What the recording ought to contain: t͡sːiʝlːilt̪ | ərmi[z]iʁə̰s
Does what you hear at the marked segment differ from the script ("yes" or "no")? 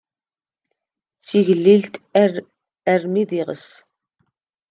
yes